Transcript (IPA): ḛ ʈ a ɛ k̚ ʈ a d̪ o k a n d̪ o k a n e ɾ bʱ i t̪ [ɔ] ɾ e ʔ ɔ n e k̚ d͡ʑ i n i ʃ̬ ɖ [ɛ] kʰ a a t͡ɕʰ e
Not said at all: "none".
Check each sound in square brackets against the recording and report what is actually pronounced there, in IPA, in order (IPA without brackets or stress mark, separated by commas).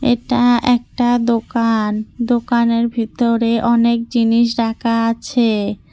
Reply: o, a